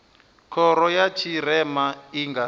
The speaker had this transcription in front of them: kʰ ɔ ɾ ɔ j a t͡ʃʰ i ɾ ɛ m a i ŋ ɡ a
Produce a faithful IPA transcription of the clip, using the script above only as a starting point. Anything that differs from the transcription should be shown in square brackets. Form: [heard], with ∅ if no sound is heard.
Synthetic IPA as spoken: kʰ ɔ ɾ ɔ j a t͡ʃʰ i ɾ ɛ m a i ŋ ɡ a